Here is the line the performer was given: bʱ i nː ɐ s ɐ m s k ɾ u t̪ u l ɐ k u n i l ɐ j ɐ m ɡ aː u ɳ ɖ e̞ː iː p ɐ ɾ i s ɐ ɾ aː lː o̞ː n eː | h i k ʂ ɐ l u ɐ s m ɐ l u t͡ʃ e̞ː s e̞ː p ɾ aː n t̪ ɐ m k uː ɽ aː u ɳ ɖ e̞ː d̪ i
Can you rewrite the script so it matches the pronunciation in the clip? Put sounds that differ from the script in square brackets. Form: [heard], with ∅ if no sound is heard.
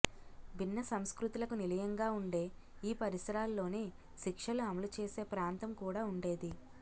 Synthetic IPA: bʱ i nː ɐ s ɐ m s k ɾ u t̪ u l ɐ k u n i l ɐ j ɐ [ŋ] ɡ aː u ɳ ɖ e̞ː iː p ɐ ɾ i s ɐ ɾ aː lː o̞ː n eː | [ʃ] i k ʂ ɐ l u ɐ [∅] m ɐ l u t͡ʃ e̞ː s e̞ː p ɾ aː n t̪ ɐ m k uː ɽ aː u ɳ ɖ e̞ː d̪ i